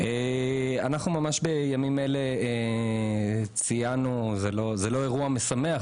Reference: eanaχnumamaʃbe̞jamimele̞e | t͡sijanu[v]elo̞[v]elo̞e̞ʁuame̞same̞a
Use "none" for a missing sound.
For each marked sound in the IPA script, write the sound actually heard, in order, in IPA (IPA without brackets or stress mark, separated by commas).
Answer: z, z